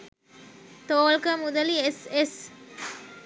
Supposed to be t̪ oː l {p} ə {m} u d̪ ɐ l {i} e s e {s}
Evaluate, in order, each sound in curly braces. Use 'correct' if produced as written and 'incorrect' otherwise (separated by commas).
incorrect, correct, correct, correct